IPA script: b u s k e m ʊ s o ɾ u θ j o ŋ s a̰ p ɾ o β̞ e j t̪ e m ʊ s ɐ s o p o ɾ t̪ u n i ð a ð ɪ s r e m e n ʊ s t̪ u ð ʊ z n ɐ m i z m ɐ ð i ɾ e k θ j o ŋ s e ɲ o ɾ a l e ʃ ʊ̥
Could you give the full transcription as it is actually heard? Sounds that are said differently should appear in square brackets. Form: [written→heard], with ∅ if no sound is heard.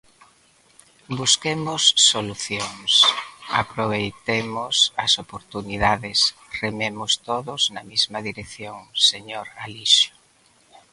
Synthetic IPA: b u s k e m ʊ [s→sː] o [ɾ→l] u θ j o ŋ s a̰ p ɾ o β̞ e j t̪ e m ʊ s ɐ s o p o ɾ t̪ u n i ð a ð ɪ s r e m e [n→m] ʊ s t̪ [u→o] ð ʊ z n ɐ m i z m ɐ ð i ɾ e k θ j o ŋ s e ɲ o ɾ a l [e→i] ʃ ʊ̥